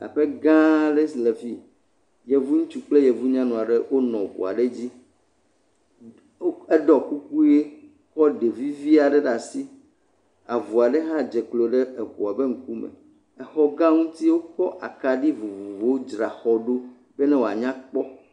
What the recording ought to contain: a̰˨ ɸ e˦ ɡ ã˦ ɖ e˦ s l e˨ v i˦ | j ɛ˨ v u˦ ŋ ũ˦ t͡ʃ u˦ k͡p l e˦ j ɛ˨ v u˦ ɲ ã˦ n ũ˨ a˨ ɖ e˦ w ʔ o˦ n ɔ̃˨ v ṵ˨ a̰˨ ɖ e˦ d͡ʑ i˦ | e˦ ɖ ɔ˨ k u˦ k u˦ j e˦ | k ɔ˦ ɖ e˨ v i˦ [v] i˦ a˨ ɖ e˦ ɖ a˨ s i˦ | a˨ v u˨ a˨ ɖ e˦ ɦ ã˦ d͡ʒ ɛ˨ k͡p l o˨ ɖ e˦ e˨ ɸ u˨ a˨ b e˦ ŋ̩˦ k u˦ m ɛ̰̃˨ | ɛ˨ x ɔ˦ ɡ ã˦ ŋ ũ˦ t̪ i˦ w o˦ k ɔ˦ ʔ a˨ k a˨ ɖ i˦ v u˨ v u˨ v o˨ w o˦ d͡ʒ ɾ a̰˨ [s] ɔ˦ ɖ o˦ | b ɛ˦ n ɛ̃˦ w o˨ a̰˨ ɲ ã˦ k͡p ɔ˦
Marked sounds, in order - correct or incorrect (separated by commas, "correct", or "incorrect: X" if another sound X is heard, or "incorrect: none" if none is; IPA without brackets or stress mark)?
correct, incorrect: x